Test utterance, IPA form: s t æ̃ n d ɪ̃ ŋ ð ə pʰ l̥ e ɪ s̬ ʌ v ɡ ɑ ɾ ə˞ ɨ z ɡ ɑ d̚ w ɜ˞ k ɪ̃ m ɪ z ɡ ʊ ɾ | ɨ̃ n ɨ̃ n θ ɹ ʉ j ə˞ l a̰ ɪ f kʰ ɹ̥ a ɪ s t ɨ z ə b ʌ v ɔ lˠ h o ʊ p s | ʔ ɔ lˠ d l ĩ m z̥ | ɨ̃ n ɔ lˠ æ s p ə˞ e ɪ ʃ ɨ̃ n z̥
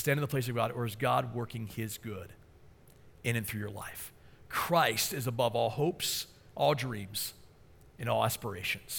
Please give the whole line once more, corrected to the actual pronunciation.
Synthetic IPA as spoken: s t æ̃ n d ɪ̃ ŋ ð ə pʰ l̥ e ɪ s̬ ʌ v ɡ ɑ ɾ ə˞ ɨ z ɡ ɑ d̚ w ɜ˞ k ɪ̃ ŋ ɪ z ɡ ʊ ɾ | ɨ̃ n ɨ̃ n θ ɹ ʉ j ə˞ l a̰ ɪ f kʰ ɹ̥ a ɪ s t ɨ z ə b ʌ v ɔ lˠ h o ʊ p s | ʔ ɔ lˠ d ɹ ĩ m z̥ | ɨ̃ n ɔ lˠ æ s p ə˞ e ɪ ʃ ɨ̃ n z̥